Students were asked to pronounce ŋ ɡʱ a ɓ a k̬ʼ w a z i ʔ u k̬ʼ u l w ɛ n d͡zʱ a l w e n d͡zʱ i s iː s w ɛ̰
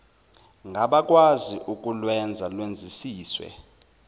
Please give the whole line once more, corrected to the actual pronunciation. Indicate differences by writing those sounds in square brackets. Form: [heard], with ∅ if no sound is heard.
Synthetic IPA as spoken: ŋ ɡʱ a ɓ a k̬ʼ w a z i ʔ u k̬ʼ u l w ɛ n d͡zʱ a l w e n d͡zʱ i s iː s w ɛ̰